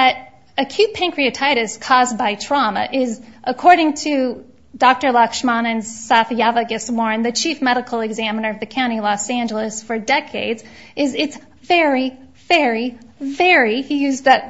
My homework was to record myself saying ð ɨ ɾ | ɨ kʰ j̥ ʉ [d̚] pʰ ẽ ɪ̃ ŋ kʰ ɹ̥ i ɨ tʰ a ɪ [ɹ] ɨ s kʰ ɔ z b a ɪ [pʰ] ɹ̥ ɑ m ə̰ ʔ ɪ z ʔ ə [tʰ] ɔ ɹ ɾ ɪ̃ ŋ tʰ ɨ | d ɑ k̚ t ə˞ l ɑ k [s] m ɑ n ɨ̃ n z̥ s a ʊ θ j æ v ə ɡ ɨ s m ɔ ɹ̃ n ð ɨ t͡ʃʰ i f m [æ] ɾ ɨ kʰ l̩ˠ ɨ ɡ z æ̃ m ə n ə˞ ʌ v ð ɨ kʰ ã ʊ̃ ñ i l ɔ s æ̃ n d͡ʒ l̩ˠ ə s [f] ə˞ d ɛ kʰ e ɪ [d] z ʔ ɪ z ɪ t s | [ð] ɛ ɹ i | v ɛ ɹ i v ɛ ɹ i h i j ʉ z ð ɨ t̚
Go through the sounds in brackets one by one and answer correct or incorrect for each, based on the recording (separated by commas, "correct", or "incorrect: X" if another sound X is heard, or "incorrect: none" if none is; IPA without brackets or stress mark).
incorrect: t̚, incorrect: ɾ, incorrect: tʰ, incorrect: kʰ, incorrect: ʃ, incorrect: ɛ, correct, correct, incorrect: v